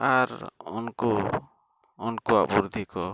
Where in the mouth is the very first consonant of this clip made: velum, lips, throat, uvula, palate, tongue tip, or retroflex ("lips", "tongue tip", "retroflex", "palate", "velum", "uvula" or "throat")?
tongue tip